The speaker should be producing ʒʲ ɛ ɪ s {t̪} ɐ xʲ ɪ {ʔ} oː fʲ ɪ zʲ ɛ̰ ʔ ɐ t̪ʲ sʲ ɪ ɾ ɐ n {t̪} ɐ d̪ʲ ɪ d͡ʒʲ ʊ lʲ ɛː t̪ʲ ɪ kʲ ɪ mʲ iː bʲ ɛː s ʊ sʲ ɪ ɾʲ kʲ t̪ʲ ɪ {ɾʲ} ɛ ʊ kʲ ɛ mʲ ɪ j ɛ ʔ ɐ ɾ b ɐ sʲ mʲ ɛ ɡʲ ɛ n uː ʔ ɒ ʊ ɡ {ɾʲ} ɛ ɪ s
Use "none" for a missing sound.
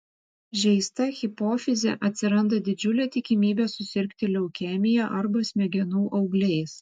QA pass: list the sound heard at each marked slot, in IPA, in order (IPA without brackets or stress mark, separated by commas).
t̪, p, d̪, lʲ, lʲ